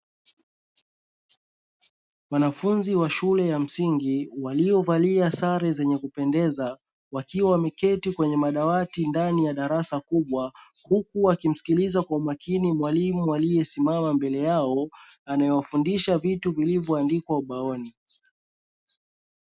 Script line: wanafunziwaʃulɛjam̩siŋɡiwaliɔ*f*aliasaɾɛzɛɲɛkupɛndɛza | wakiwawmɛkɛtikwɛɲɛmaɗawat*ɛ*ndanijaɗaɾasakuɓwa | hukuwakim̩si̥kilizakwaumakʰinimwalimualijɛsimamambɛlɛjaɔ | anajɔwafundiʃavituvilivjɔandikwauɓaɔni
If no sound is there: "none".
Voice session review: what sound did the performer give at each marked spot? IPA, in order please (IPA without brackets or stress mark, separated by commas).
v, i